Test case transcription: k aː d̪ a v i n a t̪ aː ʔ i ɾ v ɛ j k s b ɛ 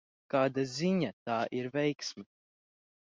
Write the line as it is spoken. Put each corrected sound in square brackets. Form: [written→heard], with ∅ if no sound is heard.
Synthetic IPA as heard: k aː d̪ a [v→z] i [n→ɲ] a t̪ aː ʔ i ɾ v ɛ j k s [b→m] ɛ